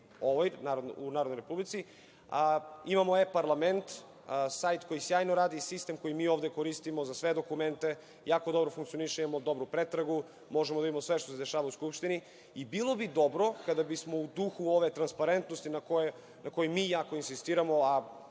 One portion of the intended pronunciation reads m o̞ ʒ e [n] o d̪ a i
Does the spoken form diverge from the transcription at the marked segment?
yes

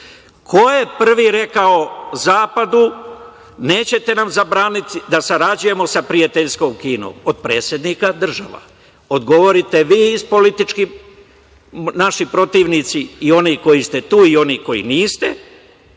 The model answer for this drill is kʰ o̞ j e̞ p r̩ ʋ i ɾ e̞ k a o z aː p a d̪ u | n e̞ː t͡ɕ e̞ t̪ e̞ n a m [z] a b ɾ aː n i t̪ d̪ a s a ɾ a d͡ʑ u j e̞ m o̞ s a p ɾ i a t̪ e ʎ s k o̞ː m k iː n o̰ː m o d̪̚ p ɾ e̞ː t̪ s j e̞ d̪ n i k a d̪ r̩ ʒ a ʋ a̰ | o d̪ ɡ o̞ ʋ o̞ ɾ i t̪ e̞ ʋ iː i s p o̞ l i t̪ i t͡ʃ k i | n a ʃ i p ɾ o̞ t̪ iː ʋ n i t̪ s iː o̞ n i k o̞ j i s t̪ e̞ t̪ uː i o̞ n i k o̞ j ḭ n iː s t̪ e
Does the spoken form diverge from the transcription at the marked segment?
no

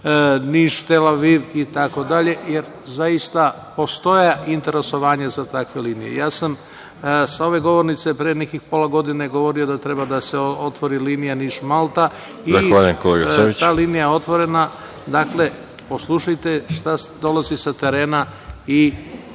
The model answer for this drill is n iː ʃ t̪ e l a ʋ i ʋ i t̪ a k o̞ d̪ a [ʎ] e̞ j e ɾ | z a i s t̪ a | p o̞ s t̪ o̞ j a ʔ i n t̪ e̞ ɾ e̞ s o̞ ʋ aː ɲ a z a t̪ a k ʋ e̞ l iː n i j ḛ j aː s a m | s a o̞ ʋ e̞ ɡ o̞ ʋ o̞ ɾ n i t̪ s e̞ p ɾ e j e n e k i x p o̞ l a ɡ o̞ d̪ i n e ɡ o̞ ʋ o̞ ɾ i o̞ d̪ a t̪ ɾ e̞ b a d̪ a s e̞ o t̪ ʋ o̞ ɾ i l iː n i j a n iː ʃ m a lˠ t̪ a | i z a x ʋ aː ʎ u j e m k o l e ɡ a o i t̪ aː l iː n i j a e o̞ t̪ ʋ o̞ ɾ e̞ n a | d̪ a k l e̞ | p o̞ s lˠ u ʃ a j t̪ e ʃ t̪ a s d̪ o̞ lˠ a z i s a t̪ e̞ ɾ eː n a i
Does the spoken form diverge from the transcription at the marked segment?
no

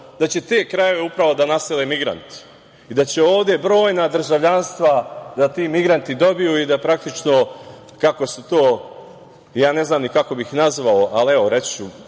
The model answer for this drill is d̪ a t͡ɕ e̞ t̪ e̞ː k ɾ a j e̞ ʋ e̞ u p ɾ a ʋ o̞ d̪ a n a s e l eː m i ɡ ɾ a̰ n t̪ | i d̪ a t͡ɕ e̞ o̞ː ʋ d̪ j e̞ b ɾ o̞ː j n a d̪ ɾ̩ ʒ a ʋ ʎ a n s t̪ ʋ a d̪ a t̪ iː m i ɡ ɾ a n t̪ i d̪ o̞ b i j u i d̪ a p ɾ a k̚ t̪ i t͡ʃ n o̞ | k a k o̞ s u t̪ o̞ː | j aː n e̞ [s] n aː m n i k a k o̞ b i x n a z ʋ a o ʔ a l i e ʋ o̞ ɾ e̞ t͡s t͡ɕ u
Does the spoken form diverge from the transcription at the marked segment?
yes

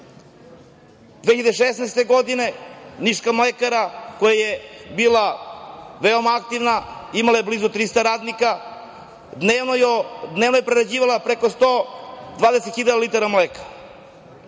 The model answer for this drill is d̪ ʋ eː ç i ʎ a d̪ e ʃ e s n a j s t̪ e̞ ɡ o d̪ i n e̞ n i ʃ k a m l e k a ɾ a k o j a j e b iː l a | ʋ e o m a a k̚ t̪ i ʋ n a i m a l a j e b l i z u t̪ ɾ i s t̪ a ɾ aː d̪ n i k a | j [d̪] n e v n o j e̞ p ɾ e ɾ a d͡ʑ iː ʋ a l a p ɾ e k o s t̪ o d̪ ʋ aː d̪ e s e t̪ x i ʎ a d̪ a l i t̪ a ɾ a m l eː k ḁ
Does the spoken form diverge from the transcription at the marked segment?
no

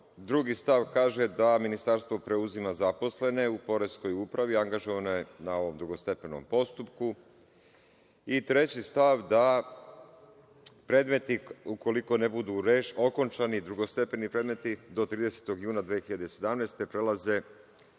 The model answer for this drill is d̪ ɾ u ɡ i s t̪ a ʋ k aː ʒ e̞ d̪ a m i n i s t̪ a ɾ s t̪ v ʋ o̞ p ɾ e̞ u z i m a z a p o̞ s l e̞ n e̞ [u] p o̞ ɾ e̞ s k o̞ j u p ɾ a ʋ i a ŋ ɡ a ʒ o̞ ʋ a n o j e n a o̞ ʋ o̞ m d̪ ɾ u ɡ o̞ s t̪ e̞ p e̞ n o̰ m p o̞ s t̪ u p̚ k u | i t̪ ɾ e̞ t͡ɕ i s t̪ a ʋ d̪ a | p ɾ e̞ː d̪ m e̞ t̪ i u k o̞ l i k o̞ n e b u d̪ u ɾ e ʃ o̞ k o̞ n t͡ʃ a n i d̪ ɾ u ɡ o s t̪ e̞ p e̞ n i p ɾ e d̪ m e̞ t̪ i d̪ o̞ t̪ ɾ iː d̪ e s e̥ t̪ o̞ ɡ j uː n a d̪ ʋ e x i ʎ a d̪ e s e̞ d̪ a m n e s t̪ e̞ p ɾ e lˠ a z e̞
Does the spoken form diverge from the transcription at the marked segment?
no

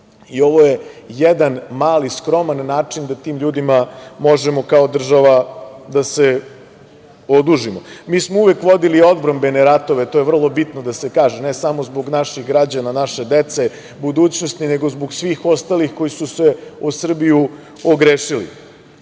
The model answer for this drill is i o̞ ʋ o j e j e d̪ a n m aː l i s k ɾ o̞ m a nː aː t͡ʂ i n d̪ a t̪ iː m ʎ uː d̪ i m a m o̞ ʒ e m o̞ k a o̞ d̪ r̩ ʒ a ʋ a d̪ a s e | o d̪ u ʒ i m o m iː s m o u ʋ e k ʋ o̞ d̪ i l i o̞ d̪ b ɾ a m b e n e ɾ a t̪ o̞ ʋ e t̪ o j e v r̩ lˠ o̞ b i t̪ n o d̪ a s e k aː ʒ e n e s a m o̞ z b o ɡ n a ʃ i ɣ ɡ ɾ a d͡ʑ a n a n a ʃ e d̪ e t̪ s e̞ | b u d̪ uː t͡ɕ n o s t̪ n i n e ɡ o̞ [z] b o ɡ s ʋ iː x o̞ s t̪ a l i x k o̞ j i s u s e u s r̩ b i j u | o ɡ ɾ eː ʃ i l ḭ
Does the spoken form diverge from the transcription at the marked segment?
no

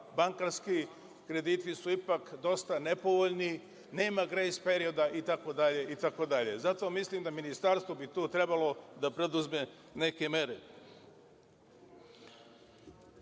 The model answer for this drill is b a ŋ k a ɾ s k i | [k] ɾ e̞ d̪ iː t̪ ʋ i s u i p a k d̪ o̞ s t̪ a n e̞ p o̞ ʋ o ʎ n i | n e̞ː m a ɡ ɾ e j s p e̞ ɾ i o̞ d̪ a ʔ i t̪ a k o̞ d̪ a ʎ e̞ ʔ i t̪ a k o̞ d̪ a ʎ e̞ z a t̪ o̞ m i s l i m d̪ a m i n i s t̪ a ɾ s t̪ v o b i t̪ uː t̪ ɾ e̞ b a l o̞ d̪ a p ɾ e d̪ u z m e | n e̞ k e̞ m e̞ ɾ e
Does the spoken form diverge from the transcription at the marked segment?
no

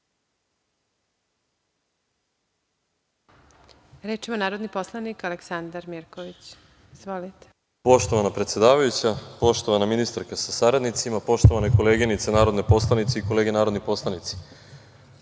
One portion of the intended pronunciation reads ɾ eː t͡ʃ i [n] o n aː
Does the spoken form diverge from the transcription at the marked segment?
yes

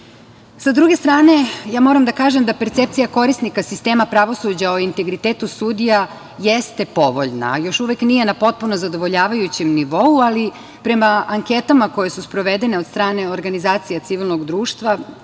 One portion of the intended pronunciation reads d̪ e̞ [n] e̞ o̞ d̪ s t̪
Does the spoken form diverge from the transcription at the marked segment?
no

